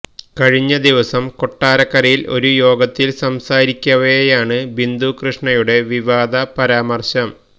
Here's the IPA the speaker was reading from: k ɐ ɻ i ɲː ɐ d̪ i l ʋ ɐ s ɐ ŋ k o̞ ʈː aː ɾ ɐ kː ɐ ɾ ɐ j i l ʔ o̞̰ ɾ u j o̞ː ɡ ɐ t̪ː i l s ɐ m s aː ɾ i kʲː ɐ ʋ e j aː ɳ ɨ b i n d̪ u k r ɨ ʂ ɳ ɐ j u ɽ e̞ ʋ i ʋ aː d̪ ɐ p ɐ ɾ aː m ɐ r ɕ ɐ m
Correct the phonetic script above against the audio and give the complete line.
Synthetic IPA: k ɐ ɻ i ɲː ɐ d̪ i ʋ ɐ s ɐ m k o̞ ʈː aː ɾ ɐ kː ɐ ɾ ɐ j i l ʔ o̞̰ ɾ u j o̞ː ɡ ɐ t̪ː i l s ɐ m s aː ɾ i kʲː ɐ ʋ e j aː ɳ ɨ b i n d̪ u k r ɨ ʂ ɳ ɐ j u ɽ e̞ ʋ i ʋ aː d̪ ɐ p ɐ ɾ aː m ɐ r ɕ ɐ m